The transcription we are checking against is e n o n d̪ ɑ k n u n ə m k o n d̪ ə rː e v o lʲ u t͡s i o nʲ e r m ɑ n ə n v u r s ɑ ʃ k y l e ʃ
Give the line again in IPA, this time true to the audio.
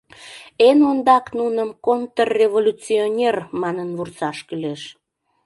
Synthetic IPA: e n o n d̪ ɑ k n u n ə m k o n t̪ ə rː e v o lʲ u t͡s i o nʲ e r m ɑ n ə n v u r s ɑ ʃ k y l e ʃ